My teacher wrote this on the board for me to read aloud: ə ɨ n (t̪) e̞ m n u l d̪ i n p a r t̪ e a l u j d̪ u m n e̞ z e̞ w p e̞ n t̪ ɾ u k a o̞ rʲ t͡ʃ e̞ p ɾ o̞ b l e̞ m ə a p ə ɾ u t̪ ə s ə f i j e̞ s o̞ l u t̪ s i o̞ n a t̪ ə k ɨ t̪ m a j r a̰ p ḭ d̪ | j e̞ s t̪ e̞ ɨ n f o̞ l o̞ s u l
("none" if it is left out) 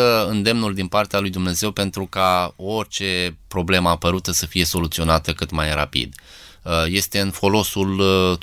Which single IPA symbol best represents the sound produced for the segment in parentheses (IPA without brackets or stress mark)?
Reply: d̪